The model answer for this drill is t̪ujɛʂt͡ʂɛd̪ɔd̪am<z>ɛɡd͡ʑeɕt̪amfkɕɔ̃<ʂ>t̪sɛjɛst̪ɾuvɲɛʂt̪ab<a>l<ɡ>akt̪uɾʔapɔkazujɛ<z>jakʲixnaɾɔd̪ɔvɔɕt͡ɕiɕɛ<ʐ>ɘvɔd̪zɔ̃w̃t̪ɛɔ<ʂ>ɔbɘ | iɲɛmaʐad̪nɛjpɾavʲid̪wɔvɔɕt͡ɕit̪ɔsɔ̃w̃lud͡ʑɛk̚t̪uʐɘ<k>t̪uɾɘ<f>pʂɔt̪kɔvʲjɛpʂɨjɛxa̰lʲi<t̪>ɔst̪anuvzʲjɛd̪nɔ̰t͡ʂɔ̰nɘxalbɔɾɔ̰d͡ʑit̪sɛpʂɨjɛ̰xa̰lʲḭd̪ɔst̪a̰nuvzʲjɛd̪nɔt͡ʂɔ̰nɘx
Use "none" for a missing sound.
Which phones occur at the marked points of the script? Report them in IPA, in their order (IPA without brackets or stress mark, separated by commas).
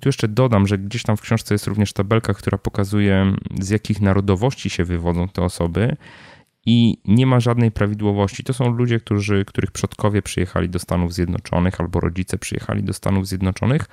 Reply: ʐ, ʂ, ɛ, k, z, v, s, k, x, d̪